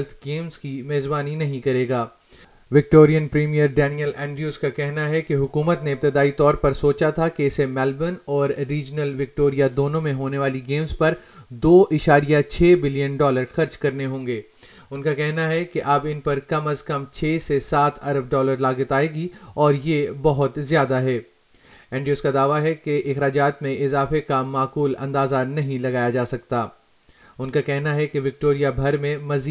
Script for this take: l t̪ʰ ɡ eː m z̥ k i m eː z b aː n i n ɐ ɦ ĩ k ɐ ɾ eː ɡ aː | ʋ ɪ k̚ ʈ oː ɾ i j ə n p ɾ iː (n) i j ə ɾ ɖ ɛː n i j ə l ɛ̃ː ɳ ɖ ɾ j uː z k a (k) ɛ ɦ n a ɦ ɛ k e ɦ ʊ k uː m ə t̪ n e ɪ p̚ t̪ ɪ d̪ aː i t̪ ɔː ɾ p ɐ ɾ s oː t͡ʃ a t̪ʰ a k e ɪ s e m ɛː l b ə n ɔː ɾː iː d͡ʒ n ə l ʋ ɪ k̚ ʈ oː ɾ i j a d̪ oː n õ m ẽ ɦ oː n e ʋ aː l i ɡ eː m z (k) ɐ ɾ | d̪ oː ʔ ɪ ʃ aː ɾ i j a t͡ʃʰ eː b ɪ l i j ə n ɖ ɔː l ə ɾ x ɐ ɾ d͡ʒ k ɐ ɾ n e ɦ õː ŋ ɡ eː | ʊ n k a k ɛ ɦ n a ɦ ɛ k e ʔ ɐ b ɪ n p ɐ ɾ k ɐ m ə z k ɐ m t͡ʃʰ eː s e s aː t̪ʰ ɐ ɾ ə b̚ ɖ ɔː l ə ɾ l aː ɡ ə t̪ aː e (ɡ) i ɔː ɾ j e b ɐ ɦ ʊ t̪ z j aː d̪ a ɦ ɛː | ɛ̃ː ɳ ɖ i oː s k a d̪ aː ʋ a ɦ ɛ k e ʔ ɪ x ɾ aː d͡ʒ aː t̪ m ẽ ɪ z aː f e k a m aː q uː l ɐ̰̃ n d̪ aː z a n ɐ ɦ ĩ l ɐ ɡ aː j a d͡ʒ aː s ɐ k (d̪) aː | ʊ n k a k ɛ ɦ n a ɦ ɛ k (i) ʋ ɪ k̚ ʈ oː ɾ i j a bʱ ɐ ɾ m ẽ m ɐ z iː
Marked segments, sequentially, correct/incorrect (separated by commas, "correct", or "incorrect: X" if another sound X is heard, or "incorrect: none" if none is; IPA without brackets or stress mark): incorrect: m, correct, incorrect: p, correct, incorrect: t̪, incorrect: e